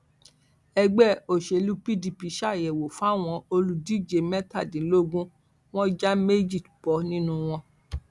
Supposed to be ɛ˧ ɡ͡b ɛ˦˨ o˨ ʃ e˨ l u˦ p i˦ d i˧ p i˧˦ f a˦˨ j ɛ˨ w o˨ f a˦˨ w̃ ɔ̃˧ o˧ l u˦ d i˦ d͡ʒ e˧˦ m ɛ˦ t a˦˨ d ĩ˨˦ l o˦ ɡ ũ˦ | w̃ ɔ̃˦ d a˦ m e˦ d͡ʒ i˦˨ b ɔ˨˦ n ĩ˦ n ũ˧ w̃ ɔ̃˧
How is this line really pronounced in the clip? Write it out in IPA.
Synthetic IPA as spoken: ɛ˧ ɡ͡b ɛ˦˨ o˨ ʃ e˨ l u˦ p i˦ d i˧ p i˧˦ ʃ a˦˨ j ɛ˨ w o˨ f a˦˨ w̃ ɔ̃˧ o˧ l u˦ d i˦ d͡ʒ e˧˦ m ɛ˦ t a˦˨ d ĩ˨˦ l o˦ ɡ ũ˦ | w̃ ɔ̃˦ d͡ʒ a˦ m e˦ d͡ʒ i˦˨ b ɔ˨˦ n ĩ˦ n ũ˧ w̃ ɔ̃˧